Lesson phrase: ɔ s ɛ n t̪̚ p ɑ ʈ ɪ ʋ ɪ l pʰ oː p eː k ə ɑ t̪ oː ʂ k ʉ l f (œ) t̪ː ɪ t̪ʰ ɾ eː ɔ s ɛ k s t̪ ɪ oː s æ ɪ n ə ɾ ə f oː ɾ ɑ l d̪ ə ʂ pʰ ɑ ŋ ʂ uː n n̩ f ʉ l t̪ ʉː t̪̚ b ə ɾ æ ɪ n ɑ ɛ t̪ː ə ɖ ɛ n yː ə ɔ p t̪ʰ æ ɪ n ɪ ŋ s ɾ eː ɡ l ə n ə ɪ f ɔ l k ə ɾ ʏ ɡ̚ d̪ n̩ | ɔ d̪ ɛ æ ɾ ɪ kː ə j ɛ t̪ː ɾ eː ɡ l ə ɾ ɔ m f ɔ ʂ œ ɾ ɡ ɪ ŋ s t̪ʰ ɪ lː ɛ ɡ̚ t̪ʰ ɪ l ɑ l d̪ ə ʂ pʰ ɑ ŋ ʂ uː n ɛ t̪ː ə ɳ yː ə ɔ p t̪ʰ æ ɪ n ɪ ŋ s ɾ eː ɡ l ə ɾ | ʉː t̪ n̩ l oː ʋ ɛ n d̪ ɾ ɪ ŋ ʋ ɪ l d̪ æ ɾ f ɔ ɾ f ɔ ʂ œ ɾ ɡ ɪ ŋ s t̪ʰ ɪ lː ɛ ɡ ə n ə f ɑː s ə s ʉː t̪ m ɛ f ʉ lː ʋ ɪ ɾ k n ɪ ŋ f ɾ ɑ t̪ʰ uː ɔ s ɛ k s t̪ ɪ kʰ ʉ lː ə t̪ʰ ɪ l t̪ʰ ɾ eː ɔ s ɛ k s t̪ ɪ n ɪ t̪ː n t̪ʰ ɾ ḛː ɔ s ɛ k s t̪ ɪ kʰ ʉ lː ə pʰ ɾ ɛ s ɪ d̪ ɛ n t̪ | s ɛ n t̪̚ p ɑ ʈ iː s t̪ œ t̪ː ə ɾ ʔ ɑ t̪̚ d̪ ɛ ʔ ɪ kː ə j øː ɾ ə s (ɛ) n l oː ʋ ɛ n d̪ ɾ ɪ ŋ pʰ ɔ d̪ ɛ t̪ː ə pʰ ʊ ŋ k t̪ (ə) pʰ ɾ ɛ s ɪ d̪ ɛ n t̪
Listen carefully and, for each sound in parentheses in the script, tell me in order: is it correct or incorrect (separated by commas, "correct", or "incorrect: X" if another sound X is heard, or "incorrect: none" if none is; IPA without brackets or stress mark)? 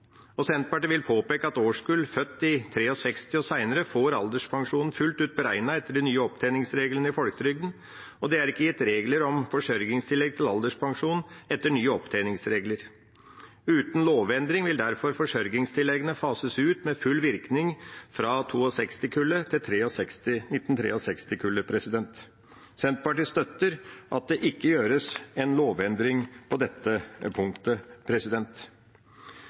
correct, correct, correct